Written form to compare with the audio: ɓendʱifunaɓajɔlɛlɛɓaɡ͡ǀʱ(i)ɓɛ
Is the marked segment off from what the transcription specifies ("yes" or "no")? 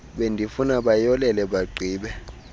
yes